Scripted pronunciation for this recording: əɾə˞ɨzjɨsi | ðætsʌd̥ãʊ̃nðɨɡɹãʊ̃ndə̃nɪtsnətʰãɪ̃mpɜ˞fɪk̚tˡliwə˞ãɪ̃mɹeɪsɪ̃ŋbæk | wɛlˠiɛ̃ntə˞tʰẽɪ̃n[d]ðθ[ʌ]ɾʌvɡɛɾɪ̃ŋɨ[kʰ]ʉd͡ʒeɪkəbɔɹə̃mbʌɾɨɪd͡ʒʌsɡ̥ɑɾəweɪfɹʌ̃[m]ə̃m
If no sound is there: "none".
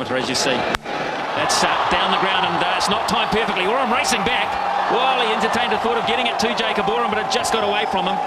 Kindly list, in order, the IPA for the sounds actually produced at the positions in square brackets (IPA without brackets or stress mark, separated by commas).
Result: d, ɔ, tʰ, m